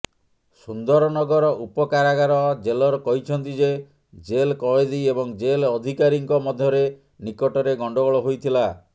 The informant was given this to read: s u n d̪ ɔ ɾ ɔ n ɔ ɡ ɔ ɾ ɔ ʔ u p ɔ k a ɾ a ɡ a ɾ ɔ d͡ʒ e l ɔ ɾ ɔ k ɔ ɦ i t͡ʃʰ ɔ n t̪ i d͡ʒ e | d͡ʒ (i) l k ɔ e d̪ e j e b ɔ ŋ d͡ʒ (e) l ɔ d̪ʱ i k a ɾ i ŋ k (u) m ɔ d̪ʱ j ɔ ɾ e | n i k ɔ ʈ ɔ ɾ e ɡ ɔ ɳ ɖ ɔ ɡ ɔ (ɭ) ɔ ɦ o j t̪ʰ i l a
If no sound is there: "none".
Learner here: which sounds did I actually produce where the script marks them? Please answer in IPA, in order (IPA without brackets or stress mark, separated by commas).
e, e, ɔ, ɭ